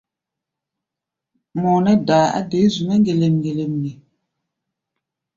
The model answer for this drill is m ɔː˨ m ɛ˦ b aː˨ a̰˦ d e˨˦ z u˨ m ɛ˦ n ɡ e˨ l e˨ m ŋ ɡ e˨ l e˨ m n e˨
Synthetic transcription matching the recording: m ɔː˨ n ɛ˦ d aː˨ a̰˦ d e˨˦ z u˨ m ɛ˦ ŋ ɡ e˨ l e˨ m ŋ ɡ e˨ l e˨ m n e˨